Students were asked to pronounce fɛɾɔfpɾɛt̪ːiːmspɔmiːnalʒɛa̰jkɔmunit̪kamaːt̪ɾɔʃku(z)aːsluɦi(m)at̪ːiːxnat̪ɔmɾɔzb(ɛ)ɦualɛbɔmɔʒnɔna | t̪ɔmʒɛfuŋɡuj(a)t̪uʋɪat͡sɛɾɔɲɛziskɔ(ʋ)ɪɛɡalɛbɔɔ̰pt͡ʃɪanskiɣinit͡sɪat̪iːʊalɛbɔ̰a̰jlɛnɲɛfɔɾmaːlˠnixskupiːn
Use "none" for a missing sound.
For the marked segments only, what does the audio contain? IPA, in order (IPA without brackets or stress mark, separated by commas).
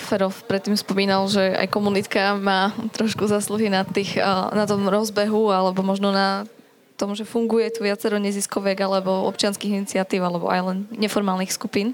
z, n, ɛ, ɛ, ʋ